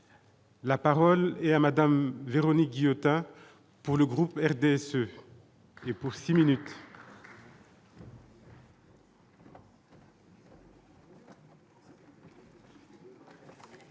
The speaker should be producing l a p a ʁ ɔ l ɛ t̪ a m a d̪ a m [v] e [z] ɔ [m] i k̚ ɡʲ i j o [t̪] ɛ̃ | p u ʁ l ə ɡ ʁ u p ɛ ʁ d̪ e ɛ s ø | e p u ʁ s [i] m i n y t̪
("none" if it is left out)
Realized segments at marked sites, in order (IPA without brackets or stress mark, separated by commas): v, ʁ, n, t̪, i